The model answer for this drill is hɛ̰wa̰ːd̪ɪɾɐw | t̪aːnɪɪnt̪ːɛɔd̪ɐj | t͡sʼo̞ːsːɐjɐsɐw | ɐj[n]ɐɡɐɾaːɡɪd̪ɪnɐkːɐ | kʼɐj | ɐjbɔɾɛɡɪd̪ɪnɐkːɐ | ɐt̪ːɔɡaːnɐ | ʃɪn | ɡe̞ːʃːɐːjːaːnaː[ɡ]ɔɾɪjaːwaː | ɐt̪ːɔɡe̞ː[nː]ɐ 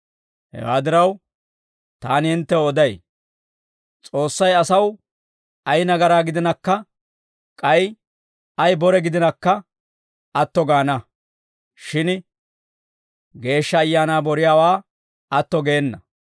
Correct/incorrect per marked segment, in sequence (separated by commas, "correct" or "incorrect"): correct, incorrect, correct